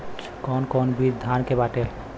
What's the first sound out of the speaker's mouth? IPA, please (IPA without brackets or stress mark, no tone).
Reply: k